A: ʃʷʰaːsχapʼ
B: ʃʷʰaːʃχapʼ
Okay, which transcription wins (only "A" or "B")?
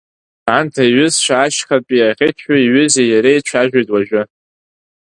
B